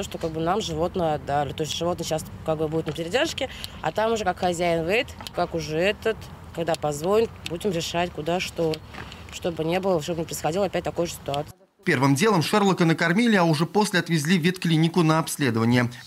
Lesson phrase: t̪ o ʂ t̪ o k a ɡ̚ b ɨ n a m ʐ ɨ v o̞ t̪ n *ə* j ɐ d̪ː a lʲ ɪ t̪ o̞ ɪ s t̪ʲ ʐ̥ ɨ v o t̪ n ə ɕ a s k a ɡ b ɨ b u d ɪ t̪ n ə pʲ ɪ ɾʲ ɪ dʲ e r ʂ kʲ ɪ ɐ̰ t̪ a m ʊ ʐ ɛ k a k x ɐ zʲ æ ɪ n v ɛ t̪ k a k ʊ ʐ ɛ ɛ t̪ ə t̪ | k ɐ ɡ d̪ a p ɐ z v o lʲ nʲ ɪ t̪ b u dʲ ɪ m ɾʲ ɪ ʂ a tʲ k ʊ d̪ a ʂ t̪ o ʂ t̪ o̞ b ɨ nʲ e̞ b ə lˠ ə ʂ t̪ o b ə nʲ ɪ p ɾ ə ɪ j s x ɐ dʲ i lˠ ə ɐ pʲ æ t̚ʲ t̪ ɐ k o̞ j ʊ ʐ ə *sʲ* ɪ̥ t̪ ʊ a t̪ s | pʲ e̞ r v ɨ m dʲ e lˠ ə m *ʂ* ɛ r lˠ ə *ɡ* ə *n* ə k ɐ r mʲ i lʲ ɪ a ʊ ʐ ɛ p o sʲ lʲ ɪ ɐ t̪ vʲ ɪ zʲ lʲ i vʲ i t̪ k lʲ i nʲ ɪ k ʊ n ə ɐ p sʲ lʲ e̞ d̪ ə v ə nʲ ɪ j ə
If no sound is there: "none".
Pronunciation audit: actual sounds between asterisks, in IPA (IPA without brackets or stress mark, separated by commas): ə, sʲ, ʂ, k, n